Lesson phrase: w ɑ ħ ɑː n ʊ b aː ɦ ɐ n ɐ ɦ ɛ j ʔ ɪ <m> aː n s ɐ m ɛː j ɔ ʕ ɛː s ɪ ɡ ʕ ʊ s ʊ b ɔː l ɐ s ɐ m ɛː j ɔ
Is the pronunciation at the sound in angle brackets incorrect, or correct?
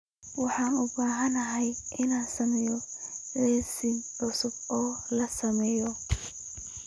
incorrect